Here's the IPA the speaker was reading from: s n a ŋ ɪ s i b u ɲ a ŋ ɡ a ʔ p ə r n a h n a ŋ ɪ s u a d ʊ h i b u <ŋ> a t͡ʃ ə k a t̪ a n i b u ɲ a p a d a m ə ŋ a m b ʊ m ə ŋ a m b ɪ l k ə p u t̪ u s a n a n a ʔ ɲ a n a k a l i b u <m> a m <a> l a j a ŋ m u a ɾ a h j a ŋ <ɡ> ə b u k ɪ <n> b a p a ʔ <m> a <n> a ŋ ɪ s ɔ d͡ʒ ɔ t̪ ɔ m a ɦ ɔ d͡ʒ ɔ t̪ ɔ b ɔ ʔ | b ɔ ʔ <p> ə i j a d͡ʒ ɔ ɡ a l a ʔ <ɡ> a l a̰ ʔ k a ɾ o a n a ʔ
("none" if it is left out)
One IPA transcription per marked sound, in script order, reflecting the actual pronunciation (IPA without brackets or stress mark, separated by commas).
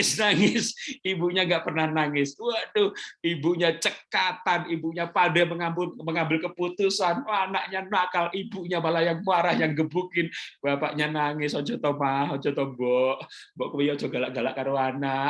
ɲ, ɲ, a, ɡ, n, ɲ, n, k, ɡ